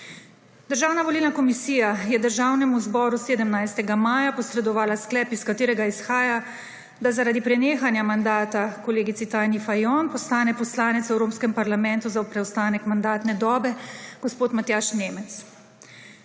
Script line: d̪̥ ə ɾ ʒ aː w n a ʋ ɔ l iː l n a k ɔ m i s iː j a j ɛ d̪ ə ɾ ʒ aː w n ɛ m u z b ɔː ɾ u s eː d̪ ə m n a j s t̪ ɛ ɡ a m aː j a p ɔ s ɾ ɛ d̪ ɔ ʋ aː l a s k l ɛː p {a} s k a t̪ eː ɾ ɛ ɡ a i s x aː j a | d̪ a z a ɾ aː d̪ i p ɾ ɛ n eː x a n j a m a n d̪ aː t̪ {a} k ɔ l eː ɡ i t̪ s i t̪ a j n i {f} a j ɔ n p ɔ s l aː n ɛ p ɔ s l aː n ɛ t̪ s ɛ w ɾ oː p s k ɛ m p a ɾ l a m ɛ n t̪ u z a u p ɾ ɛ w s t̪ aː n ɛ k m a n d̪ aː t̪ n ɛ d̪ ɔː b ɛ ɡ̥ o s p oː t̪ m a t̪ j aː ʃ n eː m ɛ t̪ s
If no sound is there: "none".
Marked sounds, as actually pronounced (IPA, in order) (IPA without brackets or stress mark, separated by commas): i, a, f